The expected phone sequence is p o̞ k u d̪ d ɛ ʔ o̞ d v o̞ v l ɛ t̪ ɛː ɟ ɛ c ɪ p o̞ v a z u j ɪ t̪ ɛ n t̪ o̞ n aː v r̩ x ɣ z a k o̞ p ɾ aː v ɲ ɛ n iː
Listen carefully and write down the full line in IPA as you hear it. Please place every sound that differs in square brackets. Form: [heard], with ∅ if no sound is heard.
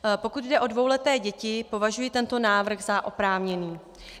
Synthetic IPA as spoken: p o̞ k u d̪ d ɛ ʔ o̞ d v o̞ [w] l ɛ t̪ ɛː ɟ ɛ c ɪ p o̞ v a [ʒ] u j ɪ t̪ ɛ n t̪ o̞ n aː v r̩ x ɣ z a [ʔ] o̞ p ɾ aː v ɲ ɛ n iː